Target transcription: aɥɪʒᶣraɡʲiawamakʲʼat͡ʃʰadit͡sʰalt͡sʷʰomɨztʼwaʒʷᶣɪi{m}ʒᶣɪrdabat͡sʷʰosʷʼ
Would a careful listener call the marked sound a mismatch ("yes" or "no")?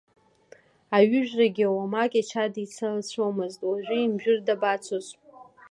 no